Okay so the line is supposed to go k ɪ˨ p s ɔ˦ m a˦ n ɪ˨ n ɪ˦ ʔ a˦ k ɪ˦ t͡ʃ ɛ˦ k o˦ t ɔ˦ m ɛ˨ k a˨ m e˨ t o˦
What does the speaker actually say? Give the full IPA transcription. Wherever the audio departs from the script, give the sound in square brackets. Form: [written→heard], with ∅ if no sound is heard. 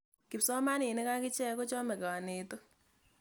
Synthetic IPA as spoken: k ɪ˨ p s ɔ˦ m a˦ n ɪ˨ n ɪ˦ [ʔ→k] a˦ k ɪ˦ t͡ʃ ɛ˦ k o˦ [t→t͡ʃ] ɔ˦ m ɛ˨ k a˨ [m→n] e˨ t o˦